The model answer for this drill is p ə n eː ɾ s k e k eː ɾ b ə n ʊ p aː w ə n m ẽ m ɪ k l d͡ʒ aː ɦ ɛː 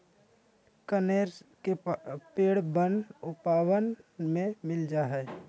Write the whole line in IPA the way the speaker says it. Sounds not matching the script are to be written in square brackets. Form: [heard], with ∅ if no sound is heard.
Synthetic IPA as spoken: [k] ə n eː ɾ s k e [p] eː [ɽ] b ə n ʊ p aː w ə n m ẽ m ɪ [∅] l d͡ʒ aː ɦ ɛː